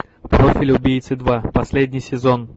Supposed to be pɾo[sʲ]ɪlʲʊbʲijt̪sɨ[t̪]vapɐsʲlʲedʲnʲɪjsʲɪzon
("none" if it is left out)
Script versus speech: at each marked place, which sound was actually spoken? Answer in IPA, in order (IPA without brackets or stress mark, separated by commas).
fʲ, d̪